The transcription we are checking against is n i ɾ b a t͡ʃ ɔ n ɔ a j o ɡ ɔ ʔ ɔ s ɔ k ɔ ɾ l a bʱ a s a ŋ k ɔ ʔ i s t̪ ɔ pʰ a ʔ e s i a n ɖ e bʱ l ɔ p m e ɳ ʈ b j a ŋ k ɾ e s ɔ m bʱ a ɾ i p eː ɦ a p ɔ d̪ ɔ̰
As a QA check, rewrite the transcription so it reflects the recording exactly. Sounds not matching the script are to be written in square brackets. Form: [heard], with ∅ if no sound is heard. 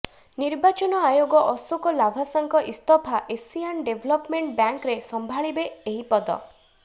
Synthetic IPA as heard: n i ɾ b a t͡ʃ ɔ n ɔ a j o ɡ ɔ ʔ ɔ s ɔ k ɔ [∅] l a bʱ a s a ŋ k ɔ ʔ i s t̪ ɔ pʰ a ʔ e s i a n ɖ e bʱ l ɔ p m e ɳ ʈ b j a ŋ k ɾ e s ɔ m bʱ a [ɭ] i [b] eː ɦ [i] p ɔ d̪ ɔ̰